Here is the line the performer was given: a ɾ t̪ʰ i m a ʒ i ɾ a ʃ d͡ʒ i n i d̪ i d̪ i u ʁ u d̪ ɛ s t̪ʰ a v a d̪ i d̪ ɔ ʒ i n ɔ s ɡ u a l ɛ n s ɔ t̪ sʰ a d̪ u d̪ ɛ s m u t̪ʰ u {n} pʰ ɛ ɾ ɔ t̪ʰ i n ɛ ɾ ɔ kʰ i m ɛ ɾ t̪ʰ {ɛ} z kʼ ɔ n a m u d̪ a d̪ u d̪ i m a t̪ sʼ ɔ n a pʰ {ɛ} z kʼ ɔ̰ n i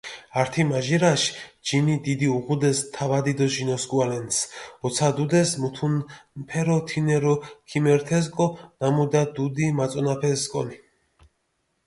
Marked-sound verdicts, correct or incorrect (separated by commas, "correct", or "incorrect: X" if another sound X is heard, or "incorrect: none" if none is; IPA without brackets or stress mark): correct, correct, correct